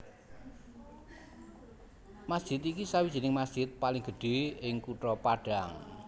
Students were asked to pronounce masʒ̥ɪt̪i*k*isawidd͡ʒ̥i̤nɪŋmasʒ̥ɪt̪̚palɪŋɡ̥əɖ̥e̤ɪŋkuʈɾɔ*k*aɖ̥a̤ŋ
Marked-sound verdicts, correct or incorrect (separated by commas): correct, incorrect